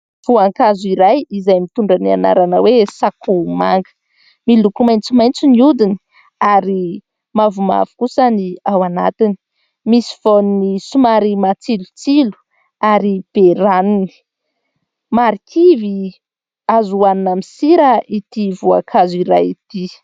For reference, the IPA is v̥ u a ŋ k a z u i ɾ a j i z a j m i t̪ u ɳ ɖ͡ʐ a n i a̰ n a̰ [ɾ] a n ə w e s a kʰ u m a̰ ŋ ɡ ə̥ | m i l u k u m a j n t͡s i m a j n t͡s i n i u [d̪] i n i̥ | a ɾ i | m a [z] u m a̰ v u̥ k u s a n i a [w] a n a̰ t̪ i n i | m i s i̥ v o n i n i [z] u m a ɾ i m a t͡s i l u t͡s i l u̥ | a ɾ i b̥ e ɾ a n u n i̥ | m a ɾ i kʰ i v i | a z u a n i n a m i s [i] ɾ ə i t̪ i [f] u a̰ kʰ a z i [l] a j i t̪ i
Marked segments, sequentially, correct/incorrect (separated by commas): correct, correct, incorrect, correct, incorrect, correct, incorrect, incorrect